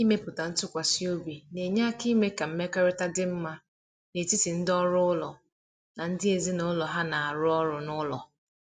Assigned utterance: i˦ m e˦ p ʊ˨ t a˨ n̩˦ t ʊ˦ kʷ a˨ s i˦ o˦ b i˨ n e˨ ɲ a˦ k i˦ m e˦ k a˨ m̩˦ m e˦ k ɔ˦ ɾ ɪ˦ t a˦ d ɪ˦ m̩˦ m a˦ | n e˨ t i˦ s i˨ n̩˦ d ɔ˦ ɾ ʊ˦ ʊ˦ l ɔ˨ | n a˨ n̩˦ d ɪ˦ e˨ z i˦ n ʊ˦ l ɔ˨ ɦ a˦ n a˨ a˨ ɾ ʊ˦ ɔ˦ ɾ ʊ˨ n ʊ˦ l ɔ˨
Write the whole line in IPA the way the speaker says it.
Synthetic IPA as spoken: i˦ m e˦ p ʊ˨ t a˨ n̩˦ t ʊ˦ kʷ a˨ s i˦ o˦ b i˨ n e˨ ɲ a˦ k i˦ m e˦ k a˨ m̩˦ m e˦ k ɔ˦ ɾ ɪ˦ t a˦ d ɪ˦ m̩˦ m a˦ | n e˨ t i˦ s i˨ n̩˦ d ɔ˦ ɾ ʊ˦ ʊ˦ l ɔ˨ | n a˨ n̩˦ d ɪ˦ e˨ z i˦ n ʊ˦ l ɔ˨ ɦ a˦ n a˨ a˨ ɾ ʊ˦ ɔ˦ ɾ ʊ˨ n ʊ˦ l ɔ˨